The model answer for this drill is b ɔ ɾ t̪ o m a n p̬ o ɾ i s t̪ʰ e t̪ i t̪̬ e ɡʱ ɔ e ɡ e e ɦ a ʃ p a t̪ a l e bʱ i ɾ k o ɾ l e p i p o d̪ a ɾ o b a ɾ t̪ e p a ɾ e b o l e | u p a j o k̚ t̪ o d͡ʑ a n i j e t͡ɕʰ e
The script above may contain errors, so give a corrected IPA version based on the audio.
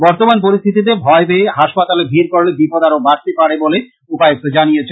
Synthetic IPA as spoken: b ɔ ɾ t̪ o m a n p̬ o ɾ i s t̪ʰ i t̪ i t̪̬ e bʱ ɔ e b e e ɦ a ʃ p a t̪ a l e bʱ i ɾ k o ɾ l e b i p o d̪ a ɾ o b a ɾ t̪ e p a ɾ e b o l e | u p a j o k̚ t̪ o d͡ʑ a n i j e t͡ɕʰ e